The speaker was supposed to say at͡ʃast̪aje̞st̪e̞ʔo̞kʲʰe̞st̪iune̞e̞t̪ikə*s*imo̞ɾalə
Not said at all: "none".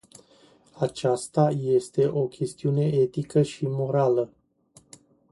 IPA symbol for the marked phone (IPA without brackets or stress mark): ʃ